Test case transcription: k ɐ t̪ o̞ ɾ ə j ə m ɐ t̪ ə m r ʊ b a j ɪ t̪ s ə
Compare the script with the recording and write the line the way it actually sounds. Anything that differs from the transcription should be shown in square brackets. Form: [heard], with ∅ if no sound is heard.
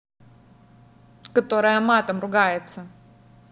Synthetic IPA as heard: k ɐ t̪ o̞ ɾ ə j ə m [a] t̪ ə m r ʊ [ɡ] a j ɪ t̪ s ə

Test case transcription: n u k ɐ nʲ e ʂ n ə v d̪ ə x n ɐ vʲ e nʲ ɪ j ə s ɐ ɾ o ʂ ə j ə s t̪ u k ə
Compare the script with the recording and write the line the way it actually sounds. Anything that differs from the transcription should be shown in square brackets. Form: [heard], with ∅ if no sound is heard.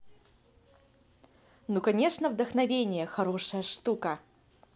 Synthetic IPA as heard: n u k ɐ nʲ e ʂ n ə v d̪ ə x n ɐ vʲ e nʲ ɪ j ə [x] ɐ ɾ o ʂ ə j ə [ʂ] t̪ u k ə

